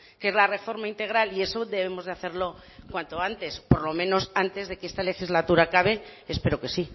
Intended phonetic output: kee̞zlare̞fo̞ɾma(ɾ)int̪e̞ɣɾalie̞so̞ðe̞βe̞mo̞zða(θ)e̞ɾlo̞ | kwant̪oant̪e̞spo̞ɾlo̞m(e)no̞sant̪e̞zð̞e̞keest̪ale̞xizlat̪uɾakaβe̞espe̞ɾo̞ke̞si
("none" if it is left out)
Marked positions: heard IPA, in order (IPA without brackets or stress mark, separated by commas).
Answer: none, θ, ẽ